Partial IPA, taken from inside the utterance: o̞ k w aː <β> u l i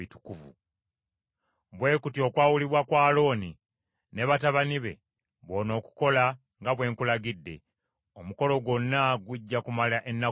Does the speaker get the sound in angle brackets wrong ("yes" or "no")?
yes